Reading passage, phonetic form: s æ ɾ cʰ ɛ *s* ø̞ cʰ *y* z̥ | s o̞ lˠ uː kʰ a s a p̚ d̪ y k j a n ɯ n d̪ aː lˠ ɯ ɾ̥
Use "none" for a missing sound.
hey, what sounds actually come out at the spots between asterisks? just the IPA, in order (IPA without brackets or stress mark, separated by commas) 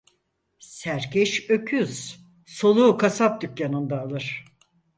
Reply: ʃ, y